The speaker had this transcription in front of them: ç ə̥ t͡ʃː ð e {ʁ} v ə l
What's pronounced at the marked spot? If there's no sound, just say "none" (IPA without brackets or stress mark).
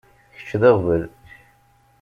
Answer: ʁ